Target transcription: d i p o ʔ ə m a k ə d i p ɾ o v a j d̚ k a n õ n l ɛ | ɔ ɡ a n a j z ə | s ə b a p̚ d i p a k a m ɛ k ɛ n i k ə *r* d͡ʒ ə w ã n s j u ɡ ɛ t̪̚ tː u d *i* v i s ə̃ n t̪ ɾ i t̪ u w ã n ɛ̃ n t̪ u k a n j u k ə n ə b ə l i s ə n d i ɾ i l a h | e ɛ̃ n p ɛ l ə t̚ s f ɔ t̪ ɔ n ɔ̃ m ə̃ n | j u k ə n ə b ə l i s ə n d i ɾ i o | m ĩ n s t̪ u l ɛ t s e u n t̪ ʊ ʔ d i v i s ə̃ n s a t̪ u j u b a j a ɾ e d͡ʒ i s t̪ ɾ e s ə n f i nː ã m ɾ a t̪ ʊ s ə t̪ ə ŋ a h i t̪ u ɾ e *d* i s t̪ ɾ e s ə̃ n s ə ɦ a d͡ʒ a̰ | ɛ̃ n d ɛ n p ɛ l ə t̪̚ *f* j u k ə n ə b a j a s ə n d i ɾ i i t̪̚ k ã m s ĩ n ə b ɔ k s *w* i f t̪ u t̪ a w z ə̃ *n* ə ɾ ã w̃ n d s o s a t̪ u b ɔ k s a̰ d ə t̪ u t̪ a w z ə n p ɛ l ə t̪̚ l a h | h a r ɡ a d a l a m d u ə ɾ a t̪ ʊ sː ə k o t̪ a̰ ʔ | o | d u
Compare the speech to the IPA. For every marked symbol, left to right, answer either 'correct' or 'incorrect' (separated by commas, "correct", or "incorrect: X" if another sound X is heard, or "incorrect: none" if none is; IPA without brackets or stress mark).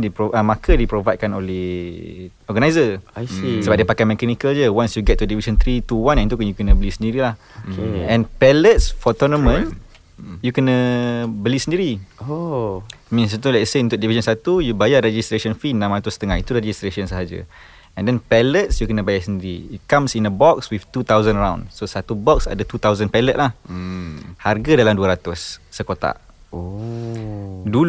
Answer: incorrect: l, correct, incorrect: d͡ʒ, incorrect: s, correct, correct